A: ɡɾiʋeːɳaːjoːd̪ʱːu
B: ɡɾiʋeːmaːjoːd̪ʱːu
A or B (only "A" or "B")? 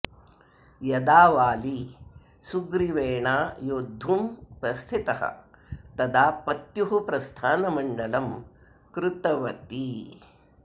A